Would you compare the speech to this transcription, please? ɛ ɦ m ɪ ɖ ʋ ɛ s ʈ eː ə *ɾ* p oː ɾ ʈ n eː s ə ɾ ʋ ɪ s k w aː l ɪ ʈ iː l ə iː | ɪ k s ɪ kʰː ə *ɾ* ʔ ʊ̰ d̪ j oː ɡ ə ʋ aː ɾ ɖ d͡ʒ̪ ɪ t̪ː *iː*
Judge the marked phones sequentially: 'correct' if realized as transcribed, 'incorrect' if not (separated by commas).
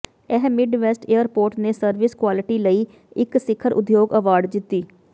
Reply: correct, correct, correct